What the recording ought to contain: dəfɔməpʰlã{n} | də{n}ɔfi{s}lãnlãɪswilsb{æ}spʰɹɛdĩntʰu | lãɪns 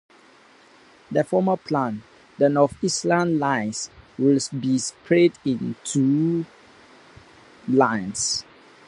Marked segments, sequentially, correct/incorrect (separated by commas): correct, correct, correct, incorrect